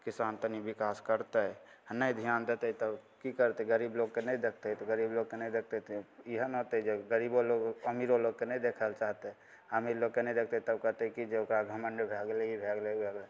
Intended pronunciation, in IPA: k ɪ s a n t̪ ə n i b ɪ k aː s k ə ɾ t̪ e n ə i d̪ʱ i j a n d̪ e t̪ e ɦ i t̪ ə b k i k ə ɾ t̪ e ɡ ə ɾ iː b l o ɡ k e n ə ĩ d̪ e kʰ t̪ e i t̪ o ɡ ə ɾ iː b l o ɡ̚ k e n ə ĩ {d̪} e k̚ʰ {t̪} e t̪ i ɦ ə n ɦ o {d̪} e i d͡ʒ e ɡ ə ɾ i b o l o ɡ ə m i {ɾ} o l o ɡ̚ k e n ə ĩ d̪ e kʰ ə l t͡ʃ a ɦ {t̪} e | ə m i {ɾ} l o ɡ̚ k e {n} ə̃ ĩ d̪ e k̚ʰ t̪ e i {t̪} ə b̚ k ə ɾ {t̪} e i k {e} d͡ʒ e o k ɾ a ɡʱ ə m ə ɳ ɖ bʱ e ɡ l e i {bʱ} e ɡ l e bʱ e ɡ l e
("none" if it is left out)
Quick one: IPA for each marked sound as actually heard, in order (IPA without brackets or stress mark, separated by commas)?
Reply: d̪, t̪, t̪, ɾ, t̪, ɾ, n, t̪, t̪, i, bʱ